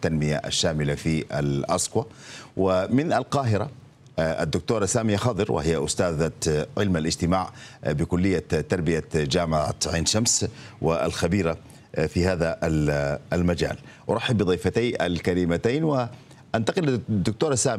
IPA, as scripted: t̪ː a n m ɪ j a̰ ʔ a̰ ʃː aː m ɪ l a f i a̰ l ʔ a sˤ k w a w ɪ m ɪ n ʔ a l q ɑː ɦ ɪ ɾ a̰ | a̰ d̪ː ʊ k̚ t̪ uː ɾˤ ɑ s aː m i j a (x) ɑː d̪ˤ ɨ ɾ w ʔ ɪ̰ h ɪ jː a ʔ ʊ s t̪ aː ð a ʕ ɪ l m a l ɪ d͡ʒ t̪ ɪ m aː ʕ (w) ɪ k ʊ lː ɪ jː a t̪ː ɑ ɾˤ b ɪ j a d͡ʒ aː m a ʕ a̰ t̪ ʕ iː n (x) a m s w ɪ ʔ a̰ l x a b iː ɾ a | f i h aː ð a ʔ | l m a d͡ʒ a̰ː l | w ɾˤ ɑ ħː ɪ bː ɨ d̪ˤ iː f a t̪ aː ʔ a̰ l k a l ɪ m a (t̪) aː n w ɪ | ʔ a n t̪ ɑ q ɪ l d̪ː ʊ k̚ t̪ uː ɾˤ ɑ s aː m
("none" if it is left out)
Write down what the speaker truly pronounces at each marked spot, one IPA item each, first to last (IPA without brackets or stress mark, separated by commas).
x, b, ʃ, t̪